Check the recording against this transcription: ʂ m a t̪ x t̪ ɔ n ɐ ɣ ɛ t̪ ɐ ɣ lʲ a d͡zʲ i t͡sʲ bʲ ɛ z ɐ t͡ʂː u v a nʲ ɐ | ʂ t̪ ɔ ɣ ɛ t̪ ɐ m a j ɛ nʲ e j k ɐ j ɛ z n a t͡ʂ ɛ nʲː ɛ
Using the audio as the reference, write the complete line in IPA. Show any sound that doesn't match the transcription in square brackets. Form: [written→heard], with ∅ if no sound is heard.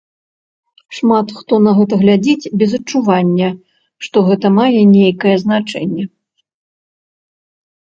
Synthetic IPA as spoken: ʂ m a t̪ x t̪ ɔ n ɐ ɣ ɛ t̪ ɐ ɣ lʲ a d͡zʲ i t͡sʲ bʲ ɛ z ɐ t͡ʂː u v a [nʲ→nʲː] ɐ | ʂ t̪ ɔ ɣ ɛ t̪ ɐ m a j ɛ nʲ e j k ɐ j ɛ z n a t͡ʂ ɛ nʲː ɛ